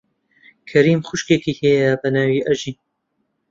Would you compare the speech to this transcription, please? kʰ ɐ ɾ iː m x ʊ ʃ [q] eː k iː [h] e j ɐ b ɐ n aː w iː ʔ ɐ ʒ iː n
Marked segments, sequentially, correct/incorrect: incorrect, correct

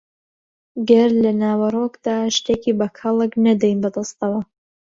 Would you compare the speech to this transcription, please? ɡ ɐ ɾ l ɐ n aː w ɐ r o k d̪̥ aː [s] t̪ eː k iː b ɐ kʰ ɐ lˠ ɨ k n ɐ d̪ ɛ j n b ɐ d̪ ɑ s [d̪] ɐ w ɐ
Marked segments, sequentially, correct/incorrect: incorrect, incorrect

